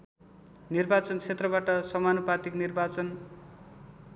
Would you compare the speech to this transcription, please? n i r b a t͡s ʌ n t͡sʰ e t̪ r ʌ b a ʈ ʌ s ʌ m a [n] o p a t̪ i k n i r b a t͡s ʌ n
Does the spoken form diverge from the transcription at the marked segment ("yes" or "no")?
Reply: no